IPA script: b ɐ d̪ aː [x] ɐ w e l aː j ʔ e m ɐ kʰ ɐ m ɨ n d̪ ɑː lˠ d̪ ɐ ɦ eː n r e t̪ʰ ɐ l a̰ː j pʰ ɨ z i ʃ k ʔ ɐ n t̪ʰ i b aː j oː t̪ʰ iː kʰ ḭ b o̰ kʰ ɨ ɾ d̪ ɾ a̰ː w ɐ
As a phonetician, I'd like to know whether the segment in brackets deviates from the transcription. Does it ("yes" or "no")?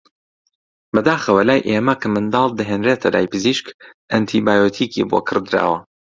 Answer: no